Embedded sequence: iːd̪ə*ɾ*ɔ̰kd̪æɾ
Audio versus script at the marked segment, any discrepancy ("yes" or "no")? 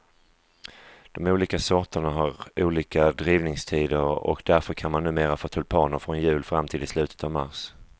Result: no